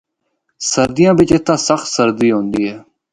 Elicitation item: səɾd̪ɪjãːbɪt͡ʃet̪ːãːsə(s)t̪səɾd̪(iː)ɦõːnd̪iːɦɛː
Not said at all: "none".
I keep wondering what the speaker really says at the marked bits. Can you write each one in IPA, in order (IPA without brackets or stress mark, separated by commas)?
x, iː